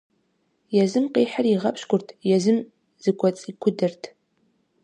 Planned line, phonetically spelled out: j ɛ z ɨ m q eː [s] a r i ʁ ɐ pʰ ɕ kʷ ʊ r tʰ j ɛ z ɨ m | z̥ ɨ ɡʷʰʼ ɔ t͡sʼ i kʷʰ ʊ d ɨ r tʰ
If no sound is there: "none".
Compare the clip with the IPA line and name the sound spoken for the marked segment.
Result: ħ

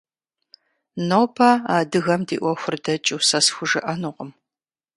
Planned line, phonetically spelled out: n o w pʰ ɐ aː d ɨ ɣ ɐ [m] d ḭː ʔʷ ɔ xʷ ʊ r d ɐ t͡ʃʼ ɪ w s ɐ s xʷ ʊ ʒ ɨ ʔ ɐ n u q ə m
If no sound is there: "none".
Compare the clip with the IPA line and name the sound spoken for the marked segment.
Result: m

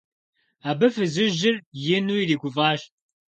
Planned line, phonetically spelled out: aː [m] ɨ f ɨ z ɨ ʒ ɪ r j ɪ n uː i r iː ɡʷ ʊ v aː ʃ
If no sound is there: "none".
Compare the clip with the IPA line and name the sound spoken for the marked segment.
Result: b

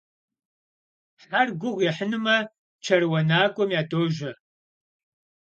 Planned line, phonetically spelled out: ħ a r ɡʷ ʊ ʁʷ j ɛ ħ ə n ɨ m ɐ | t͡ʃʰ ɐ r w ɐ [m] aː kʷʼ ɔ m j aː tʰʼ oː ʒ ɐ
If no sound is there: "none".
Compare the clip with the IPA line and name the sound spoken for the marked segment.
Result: n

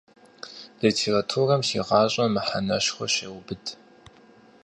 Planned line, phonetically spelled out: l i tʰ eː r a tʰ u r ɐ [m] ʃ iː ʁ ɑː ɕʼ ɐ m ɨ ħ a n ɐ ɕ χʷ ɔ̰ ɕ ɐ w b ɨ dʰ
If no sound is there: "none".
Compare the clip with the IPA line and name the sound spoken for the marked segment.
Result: m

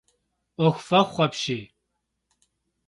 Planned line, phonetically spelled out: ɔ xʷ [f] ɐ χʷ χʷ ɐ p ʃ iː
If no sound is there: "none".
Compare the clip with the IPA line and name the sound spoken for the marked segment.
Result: f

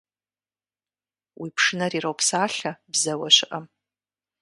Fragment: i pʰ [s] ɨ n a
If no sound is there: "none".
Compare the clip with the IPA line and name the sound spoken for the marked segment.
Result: ʂ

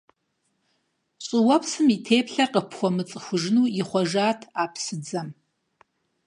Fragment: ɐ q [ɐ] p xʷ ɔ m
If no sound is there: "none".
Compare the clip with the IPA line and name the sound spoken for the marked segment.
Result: ə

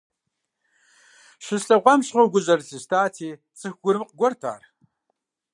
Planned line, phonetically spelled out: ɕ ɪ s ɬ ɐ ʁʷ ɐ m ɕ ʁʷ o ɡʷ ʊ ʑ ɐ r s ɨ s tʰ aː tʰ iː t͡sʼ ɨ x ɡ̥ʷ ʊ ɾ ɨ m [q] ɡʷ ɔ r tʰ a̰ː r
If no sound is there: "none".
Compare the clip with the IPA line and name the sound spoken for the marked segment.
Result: q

